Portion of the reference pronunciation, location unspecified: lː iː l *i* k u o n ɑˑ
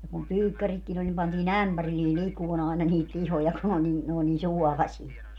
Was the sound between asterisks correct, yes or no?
yes